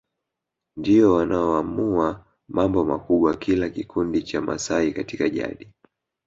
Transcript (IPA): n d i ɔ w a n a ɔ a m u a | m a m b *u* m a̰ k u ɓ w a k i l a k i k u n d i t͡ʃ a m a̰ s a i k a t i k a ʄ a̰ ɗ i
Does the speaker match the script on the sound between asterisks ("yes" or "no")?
no